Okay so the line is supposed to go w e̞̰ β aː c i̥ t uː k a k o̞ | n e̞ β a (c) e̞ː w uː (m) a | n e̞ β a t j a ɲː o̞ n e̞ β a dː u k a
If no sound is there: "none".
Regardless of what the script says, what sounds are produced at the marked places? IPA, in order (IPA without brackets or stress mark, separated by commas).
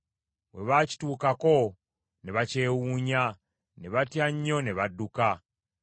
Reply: c, ɲ